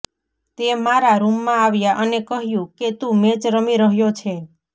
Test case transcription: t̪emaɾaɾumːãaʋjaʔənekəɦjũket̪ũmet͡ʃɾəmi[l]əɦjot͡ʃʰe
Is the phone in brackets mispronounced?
yes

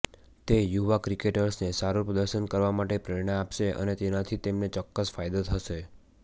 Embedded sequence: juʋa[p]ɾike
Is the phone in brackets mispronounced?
yes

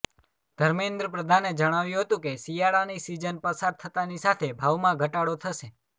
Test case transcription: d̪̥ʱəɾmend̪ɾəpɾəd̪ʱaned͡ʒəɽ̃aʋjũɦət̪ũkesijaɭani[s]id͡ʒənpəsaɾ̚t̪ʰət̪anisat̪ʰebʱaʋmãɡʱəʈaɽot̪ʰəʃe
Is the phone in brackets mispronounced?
no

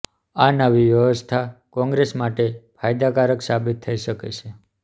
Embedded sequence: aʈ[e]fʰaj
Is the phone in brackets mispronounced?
no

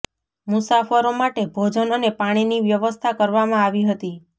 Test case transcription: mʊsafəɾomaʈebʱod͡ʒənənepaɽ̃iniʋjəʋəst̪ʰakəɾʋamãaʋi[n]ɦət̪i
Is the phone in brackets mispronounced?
yes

